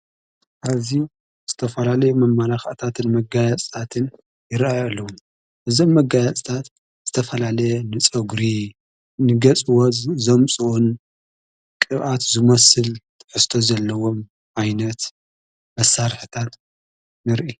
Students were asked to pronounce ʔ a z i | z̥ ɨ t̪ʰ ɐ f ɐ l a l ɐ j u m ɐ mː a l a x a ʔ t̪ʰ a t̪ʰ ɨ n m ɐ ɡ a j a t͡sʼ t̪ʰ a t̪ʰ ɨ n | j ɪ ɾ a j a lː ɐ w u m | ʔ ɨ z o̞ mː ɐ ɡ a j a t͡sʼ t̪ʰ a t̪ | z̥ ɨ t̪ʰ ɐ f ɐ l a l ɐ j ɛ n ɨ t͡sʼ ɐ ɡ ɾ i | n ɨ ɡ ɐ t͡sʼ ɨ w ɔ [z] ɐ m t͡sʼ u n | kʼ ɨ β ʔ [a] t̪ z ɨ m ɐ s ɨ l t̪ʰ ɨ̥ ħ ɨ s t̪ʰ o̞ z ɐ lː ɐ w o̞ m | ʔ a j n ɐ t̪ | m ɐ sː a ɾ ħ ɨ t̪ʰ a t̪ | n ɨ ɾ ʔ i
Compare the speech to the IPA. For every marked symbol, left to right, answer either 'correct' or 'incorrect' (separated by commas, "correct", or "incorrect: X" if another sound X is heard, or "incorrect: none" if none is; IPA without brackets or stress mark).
correct, correct